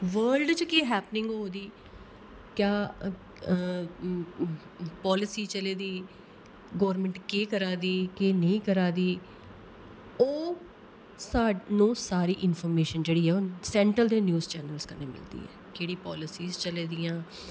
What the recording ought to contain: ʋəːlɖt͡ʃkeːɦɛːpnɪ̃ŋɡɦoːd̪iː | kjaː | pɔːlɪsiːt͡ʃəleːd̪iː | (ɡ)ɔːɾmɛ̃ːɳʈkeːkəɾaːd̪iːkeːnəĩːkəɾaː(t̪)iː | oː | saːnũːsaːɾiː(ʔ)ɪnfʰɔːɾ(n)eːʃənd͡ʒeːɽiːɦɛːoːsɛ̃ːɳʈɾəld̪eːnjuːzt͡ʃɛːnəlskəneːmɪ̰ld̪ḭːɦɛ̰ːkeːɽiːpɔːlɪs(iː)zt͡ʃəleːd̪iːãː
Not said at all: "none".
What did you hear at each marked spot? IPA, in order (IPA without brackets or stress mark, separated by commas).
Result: ɡ, d̪, ʔ, m, iː